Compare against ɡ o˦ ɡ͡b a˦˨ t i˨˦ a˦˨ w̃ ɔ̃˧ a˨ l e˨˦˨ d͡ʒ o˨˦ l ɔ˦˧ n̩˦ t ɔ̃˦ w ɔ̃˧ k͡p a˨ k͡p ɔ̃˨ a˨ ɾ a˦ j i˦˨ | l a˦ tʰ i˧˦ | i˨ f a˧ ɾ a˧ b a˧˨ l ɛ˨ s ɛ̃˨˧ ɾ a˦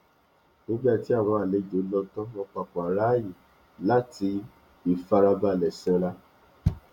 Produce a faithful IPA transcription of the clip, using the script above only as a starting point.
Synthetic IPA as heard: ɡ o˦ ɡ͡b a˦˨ t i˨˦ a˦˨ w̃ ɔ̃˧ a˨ l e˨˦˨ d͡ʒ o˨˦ l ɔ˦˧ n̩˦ t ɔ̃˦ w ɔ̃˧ k͡p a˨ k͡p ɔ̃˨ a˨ ɾ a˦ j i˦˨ | l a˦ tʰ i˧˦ | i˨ f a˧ ɾ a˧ b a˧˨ l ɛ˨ s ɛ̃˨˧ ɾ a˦